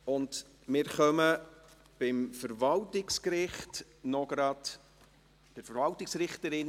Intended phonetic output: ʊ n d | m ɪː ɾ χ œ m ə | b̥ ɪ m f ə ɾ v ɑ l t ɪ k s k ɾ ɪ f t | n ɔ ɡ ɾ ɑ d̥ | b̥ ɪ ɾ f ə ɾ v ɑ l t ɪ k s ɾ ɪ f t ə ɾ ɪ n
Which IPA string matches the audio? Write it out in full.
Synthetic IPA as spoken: ʊ n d | m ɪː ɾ χ œ m ə | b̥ ɪ m f ə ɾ v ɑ l t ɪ k s k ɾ ɪ χ t | n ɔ ɡ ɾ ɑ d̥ | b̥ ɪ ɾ f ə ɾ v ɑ l t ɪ k s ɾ ɪ χ t ə ɾ ɪ n